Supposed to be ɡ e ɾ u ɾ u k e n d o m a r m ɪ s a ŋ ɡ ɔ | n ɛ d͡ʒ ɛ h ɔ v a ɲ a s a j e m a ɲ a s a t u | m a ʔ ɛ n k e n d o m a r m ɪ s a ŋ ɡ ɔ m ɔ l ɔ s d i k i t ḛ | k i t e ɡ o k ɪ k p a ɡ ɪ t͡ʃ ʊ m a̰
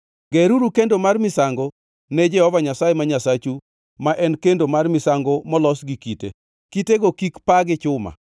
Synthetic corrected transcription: ɡ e ɾ u ɾ u k e n d o m a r m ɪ s a ŋ ɡ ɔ | n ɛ d͡ʒ ɛ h ɔ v a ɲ a s a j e m a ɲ a s a t͡ʃ u | m a ʔ ɛ n k e n d o m a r m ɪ s a ŋ ɡ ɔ m ɔ l ɔ s ɡ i k i t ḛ | k i t e ɡ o k i k p a ɡ ɪ t͡ʃ ʊ m a̰

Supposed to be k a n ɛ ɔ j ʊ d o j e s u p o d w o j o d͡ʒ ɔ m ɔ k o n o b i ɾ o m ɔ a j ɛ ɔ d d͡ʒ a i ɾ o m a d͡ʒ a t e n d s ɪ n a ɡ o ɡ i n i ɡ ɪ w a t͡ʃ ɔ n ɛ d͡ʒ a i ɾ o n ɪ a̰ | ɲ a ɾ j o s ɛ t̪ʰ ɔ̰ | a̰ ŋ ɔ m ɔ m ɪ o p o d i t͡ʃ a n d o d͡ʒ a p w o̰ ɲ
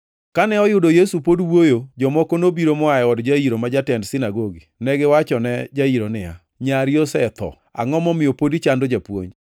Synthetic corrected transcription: k a n ɛ ɔ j ʊ d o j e s u p o d w o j o d͡ʒ ɔ m ɔ k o n o b i ɾ o m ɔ a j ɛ ɔ d d͡ʒ a i ɾ o m a d͡ʒ a t ɛ n d s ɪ n a ɡ o ɡ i n ɛ ɡ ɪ w a t͡ʃ ɔ n ɛ d͡ʒ a i ɾ o n ɪ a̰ | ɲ a ɾ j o s ɛ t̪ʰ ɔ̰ | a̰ ŋ ɔ m ɔ m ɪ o p o d i t͡ʃ a n d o d͡ʒ a p w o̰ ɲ

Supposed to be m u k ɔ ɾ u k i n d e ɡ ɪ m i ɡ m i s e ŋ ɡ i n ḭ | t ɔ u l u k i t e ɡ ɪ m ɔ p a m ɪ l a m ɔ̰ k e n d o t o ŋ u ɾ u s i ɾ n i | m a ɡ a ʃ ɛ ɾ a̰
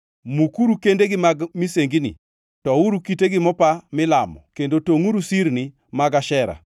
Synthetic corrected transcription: m u k u ɾ u k e n d e ɡ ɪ m a ɡ m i s e ŋ ɡ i n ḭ | t ɔ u ɾ u k i t e ɡ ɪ m ɔ p a m ɪ l a m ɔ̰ k e n d o t o ŋ u ɾ u s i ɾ n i | m a ɡ a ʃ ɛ ɾ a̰

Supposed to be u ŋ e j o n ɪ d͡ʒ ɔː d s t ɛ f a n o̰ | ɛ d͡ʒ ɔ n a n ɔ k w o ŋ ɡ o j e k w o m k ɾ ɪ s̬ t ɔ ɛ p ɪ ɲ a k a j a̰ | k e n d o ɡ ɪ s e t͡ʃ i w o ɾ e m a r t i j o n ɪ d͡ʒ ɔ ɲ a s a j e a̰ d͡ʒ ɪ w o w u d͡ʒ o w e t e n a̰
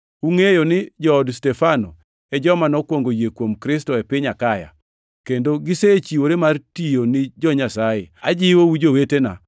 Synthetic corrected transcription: u ŋ e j o n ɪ d͡ʒ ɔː d s t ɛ f a n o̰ | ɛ d͡ʒ ɔ m a n ɔ k w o ŋ ɡ o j e k w o m k ɾ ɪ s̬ t ɔ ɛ p ɪ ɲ a k a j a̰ | k e n d o ɡ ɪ s e t͡ʃ i w o ɾ e m a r t i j o n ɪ d͡ʒ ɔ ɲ a s a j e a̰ d͡ʒ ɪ w o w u d͡ʒ o w e t e n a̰

